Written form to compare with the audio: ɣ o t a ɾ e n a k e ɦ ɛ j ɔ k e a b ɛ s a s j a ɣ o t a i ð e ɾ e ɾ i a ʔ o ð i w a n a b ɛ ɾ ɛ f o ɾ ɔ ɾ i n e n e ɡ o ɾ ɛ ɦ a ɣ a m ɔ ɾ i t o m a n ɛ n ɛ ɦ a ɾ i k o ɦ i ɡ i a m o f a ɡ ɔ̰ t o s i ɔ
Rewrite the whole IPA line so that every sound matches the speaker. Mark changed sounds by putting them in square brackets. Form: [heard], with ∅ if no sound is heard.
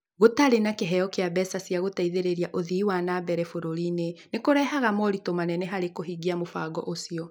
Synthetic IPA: ɣ o t a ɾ e n a k e ɦ ɛ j ɔ k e a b ɛ s a s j a ɣ o t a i ð e ɾ e ɾ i a ʔ o ð i w a n a b ɛ ɾ ɛ f o ɾ [o] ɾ i n e n e [k] o ɾ ɛ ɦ a ɣ a m ɔ ɾ i t o m a n ɛ n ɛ ɦ a ɾ [e] k o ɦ i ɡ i a m o f a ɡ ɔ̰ [ʔ] o s i ɔ